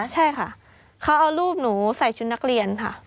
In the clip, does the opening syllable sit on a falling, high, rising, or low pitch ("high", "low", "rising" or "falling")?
falling